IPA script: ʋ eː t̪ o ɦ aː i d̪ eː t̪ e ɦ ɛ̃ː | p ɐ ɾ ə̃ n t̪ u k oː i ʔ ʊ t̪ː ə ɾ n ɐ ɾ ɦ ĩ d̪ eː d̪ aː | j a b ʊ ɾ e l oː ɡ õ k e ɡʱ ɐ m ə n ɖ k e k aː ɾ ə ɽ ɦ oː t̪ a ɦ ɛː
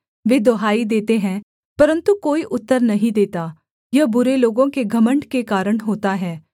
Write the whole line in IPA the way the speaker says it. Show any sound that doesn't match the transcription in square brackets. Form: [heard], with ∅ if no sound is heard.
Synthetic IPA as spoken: ʋ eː [d̪] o ɦ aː i d̪ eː t̪ e ɦ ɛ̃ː | p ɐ ɾ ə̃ n t̪ u k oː i ʔ ʊ t̪ː ə ɾ n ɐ [∅] ɦ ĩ d̪ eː [t̪] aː | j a b ʊ ɾ e l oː ɡ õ k e ɡʱ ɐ m ə [ɳ] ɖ k e k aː ɾ ə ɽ ɦ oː t̪ a ɦ ɛː